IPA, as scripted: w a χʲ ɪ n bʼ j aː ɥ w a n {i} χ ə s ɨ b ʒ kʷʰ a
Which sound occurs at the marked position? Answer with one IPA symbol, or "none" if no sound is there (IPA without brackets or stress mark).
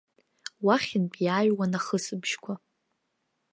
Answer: a